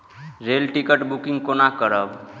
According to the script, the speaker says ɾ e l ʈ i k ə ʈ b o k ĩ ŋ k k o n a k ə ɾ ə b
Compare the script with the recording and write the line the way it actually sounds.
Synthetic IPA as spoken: ɾ e l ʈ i k ə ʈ b u k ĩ ŋ ɡ k o n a k ə ɾ ə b